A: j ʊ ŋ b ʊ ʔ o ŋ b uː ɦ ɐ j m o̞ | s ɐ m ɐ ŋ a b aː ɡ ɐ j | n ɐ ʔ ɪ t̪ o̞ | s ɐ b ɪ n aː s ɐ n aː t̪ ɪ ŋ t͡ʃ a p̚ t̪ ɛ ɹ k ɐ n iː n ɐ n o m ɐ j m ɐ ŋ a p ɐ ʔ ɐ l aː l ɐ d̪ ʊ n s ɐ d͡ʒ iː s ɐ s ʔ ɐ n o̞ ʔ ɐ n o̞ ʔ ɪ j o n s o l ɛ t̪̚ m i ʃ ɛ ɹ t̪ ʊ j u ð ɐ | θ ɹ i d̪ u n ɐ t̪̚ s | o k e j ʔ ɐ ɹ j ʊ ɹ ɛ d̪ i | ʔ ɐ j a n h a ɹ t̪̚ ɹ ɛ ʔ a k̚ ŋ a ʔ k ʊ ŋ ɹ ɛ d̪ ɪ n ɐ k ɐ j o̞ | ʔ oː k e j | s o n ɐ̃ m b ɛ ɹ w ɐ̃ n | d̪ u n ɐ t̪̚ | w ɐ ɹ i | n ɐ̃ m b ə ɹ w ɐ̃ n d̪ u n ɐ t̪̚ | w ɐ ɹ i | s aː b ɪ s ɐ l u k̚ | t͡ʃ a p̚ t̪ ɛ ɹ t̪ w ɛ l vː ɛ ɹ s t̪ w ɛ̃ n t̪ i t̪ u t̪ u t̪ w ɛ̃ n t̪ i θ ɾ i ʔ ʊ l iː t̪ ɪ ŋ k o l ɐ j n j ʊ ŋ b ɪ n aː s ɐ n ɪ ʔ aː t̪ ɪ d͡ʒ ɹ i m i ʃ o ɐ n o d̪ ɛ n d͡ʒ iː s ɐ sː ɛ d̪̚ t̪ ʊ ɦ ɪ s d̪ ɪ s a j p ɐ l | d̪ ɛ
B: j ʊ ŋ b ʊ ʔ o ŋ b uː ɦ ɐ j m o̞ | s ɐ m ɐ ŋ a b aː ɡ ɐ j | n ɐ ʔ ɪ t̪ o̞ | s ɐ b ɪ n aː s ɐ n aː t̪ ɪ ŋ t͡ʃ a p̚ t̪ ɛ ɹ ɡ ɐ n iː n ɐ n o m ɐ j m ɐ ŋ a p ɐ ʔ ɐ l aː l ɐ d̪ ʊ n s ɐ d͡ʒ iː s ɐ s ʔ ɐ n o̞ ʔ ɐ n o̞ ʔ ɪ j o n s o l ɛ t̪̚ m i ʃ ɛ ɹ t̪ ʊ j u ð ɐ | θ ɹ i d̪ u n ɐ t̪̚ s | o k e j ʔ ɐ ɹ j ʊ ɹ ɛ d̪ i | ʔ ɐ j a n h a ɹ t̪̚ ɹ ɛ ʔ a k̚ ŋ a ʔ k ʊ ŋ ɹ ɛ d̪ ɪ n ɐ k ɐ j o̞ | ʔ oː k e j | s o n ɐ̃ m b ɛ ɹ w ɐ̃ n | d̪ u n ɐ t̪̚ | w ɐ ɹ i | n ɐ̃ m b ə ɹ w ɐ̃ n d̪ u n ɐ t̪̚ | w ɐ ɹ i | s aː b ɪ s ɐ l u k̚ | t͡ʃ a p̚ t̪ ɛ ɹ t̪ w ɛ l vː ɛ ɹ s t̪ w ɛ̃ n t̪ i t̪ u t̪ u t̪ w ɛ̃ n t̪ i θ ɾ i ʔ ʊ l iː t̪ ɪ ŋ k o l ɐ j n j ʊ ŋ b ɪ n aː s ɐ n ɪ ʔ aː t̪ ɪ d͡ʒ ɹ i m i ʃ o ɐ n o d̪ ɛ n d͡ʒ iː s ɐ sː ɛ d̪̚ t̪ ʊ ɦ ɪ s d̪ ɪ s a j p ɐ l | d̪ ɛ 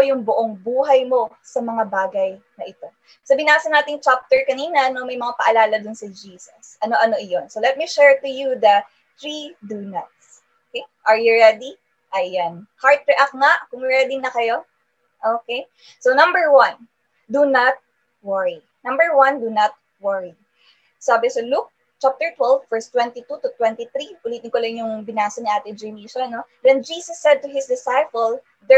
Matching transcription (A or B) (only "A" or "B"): A